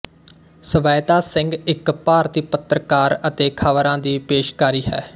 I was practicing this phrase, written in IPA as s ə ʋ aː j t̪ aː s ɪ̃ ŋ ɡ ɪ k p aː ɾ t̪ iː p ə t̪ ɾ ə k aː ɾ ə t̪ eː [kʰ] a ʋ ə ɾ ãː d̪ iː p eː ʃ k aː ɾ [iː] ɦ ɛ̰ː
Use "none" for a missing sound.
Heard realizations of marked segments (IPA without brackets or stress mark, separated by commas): kʰ, iː